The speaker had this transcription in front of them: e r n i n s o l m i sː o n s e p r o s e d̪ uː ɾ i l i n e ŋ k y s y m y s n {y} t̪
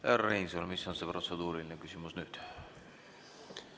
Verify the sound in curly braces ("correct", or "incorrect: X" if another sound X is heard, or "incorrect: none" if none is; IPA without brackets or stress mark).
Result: correct